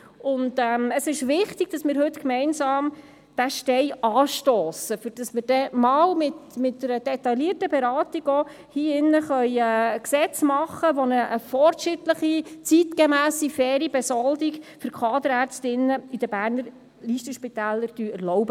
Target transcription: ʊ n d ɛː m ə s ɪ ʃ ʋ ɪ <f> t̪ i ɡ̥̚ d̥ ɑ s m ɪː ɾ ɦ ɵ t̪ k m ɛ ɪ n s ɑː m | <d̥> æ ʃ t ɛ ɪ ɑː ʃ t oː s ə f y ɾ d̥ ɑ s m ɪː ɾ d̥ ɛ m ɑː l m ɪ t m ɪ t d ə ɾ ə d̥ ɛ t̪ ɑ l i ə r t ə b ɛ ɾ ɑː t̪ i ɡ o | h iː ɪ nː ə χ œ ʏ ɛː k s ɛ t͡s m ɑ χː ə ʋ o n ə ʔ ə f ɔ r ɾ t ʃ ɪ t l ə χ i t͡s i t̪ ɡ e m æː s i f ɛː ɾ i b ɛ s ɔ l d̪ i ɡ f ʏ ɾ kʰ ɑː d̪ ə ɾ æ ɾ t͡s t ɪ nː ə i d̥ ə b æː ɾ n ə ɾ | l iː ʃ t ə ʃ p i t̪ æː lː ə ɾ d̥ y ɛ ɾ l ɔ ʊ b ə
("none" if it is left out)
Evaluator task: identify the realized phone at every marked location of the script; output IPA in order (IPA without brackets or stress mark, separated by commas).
χ, d̥